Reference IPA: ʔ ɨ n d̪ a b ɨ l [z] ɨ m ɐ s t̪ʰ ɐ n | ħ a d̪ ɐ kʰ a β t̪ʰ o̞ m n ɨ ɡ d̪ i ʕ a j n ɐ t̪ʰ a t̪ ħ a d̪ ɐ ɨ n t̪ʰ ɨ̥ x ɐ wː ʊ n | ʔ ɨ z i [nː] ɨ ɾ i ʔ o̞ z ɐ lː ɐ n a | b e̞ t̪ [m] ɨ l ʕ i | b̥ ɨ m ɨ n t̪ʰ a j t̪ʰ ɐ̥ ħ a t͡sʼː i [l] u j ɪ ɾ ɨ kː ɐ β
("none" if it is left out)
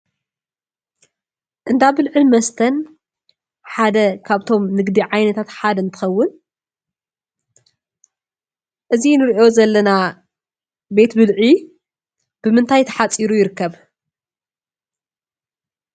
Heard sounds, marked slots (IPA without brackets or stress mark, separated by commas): ʕ, n, b, ɾ